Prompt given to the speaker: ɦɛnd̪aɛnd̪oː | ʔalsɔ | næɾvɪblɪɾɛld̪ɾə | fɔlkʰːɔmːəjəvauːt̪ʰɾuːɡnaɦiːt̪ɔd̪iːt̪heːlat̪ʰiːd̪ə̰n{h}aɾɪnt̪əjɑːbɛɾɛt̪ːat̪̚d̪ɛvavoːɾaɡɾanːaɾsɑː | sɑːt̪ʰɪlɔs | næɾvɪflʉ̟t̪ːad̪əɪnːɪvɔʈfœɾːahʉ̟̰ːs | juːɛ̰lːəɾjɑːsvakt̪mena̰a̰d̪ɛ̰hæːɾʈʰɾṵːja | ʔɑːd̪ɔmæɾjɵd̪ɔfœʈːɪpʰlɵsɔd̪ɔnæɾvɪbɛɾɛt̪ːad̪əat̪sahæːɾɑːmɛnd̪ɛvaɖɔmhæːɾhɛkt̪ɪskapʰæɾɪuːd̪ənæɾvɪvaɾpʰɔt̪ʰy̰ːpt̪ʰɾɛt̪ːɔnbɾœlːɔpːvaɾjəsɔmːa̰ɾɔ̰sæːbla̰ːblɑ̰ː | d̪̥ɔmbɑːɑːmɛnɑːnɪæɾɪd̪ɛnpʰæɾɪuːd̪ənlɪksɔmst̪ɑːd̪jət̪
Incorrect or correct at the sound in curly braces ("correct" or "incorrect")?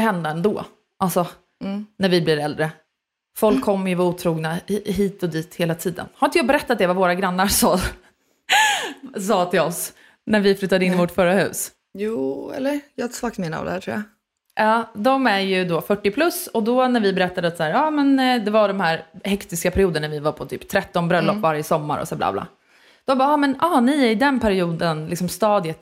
correct